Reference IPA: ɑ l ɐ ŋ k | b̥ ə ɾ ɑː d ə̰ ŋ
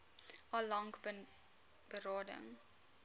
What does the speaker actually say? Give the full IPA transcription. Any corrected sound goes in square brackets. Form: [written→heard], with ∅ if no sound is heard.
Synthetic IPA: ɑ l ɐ ŋ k | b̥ ə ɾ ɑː d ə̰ ŋ